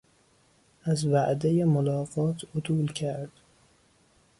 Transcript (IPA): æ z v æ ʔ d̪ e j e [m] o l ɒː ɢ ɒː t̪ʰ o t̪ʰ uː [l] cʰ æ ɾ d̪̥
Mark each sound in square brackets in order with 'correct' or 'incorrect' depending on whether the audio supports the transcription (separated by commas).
correct, correct